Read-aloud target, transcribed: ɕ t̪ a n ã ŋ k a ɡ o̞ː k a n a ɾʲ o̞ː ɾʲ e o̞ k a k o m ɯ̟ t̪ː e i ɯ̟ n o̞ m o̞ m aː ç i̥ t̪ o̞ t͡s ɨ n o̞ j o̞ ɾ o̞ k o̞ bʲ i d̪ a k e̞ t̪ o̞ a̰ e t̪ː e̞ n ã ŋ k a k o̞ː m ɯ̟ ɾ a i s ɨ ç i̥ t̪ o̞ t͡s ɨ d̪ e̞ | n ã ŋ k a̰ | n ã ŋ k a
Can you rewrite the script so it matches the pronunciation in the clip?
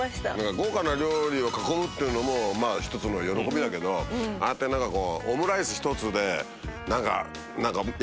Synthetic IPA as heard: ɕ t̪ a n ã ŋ k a ɡ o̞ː k a n a ɾʲ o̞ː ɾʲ i o̞ k a k o m ɯ̟ t̪ː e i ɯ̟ n o̞ m o̞ m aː ç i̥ t̪ o̞ t͡s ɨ n o̞ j o̞ ɾ o̞ k o̞ bʲ i d̪ a k e̞ d̪ o̞ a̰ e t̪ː e̞ n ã ŋ k a k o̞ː m ɯ̟ ɾ a i s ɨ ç i̥ t̪ o̞ t͡s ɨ d̪ e̞ | n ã ŋ k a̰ | n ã ŋ k a